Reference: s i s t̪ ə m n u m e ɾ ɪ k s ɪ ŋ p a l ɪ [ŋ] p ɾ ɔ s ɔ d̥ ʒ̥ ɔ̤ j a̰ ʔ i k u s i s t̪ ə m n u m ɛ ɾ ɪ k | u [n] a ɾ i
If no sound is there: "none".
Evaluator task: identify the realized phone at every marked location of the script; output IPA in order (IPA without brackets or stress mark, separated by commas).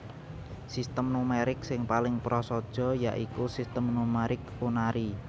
ŋ, n